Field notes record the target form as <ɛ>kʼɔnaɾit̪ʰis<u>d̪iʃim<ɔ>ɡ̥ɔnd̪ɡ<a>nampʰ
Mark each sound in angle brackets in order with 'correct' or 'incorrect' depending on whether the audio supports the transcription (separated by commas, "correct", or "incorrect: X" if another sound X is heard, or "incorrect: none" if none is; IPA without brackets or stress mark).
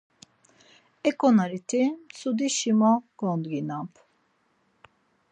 correct, correct, correct, incorrect: i